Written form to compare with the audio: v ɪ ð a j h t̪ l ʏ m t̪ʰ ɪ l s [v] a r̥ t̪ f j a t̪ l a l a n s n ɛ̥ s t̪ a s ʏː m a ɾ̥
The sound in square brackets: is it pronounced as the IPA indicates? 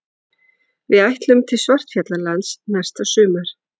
yes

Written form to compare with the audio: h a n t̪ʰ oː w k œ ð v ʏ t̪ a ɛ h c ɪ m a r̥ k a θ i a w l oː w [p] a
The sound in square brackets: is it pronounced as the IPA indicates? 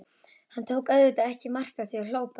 yes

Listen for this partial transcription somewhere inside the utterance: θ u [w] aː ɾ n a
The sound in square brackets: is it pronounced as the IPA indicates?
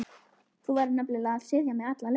no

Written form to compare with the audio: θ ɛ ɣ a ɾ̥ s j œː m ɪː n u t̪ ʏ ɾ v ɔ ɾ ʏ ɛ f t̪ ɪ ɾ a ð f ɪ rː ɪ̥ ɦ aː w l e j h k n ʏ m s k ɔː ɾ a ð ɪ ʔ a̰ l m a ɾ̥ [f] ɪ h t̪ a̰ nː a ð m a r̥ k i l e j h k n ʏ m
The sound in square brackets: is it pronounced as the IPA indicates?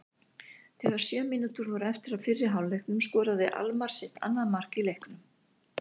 no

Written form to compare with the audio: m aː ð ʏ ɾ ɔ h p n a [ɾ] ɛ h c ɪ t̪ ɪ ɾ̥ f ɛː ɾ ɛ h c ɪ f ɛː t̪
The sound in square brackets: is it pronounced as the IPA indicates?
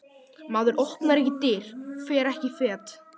yes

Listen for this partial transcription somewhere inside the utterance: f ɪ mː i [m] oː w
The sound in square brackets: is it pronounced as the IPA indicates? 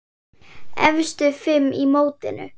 yes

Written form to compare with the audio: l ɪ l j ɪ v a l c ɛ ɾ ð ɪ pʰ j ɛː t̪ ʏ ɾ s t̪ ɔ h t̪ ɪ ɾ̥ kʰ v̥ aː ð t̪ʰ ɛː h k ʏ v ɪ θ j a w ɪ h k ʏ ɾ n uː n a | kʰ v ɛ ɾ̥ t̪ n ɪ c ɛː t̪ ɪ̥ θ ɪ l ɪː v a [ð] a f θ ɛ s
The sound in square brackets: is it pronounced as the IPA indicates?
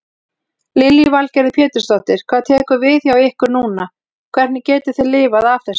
yes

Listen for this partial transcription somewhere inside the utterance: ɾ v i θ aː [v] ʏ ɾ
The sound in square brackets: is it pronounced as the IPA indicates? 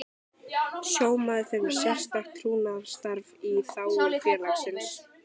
no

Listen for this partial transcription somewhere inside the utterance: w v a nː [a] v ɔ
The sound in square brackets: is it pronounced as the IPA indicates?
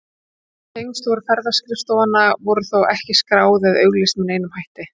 yes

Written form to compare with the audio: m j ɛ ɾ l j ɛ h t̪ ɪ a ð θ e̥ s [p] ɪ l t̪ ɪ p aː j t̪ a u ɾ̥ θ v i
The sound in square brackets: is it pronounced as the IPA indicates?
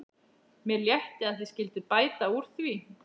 no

